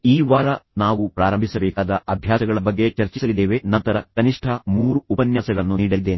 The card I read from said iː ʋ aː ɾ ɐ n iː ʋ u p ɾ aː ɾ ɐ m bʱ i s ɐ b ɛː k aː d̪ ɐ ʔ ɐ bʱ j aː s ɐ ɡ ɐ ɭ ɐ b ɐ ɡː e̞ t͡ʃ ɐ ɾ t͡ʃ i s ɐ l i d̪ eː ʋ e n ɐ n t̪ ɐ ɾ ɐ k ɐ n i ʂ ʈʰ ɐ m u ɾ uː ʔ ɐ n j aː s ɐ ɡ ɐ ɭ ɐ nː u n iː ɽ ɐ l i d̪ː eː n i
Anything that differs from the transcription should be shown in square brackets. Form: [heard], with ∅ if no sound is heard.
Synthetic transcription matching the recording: iː ʋ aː ɾ ɐ n [aː] ʋ u p ɾ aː ɾ ɐ m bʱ i s ɐ b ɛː k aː d̪ ɐ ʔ ɐ bʱ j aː s ɐ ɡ ɐ ɭ ɐ b ɐ ɡː e̞ t͡ʃ ɐ ɾ t͡ʃ i s ɐ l i d̪ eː ʋ e n ɐ n t̪ ɐ ɾ ɐ k ɐ n i ʂ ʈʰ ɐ m [uː] ɾ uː [p] ɐ n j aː s ɐ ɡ ɐ ɭ ɐ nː u n iː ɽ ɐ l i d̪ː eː n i